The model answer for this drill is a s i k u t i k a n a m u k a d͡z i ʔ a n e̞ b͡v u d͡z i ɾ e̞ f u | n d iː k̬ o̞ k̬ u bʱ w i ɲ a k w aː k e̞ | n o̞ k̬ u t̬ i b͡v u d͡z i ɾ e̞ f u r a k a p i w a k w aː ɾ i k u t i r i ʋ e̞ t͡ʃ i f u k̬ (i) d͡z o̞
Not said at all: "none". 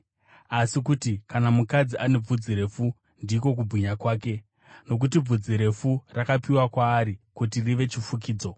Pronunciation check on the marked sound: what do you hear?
iː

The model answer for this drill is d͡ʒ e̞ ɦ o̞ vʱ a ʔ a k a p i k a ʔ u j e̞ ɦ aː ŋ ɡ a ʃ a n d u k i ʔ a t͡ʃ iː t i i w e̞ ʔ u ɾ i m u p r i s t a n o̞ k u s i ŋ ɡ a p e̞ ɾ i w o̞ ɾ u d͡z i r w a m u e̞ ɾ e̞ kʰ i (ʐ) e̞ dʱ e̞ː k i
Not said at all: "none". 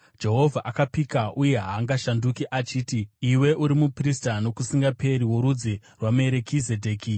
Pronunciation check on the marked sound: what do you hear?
z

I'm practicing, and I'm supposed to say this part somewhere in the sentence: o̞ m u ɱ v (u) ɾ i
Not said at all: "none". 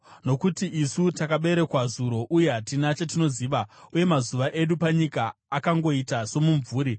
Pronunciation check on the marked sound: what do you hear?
uː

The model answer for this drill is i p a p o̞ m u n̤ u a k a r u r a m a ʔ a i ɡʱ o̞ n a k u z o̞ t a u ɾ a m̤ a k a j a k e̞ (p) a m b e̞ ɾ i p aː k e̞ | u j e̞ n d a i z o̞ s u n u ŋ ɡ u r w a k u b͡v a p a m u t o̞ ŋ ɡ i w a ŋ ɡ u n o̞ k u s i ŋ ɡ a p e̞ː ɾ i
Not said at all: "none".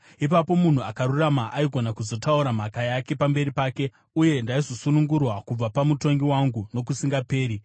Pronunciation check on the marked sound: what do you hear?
p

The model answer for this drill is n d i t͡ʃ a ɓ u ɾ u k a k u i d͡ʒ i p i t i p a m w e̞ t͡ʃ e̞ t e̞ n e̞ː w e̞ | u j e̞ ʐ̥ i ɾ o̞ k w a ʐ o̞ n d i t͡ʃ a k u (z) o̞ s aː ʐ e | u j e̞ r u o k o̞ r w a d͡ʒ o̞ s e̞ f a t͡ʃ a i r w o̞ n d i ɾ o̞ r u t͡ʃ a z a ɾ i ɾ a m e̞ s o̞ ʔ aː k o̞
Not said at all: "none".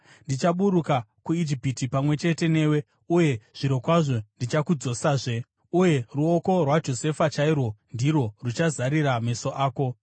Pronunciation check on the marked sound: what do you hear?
d͡z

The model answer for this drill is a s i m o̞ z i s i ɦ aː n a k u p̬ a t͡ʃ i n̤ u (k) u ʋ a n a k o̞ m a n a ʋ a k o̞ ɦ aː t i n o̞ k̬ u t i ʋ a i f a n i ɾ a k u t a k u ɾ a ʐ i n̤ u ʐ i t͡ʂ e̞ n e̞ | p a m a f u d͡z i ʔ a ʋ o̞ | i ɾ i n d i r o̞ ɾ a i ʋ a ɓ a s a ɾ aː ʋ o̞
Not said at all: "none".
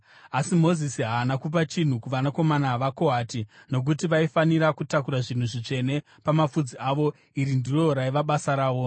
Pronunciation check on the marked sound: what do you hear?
k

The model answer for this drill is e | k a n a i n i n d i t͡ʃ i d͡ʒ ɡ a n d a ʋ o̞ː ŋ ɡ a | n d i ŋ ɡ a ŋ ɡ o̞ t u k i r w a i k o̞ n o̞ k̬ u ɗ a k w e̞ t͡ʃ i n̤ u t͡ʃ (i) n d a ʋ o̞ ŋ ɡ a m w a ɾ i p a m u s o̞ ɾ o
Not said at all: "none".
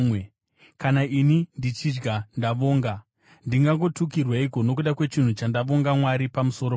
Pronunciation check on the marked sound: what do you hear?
a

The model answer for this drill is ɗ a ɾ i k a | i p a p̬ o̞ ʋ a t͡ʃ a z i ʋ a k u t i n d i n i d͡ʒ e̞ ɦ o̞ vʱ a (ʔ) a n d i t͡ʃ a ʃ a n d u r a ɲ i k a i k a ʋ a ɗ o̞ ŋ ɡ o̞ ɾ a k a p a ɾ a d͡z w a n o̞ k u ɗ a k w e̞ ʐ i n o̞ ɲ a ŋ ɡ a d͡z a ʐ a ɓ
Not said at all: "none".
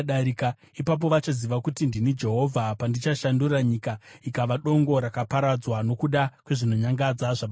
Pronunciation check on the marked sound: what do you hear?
p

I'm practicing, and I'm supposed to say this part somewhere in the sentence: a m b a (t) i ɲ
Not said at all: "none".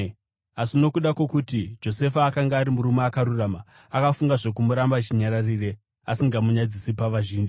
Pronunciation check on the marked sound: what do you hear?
t͡ʃ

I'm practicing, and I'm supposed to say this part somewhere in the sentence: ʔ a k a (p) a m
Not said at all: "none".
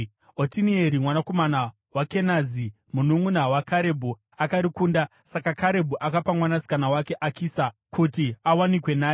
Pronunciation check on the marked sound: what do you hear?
p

